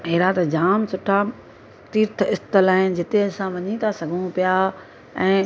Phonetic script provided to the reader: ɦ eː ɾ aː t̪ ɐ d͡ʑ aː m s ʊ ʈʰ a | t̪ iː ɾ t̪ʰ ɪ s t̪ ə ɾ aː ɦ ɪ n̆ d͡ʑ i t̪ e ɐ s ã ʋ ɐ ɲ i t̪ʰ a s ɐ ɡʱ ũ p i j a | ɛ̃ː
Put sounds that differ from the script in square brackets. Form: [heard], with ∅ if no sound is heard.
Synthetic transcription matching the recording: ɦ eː ɾ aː t̪ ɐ d͡ʑ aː m s ʊ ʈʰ a | t̪ iː ɾ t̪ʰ ɪ s t̪ ə [l] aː ɦ ɪ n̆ d͡ʑ [ɪ] t̪ e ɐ s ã ʋ ɐ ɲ i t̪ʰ a s ɐ ɡʱ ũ p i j a | ɛ̃ː